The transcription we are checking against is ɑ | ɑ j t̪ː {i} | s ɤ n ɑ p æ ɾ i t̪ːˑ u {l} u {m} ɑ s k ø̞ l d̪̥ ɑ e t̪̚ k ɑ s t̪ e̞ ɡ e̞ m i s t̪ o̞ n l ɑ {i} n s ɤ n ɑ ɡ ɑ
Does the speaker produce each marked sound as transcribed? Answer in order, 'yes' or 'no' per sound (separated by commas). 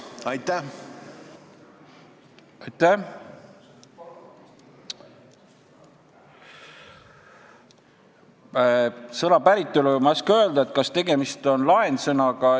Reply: no, yes, yes, no